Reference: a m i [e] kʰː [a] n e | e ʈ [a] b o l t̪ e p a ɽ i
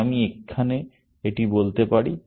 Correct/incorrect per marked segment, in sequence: correct, correct, incorrect

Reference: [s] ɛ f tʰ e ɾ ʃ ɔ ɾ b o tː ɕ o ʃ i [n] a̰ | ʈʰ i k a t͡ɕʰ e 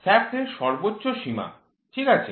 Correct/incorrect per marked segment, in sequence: correct, incorrect

